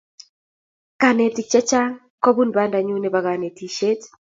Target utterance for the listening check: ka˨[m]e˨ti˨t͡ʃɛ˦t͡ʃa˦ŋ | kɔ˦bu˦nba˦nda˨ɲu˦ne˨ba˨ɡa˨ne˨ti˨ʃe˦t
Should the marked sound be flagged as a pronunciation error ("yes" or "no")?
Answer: yes